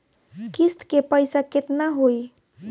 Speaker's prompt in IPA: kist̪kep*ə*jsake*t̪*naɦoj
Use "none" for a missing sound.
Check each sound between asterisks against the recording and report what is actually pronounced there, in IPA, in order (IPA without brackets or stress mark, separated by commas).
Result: ə, t̪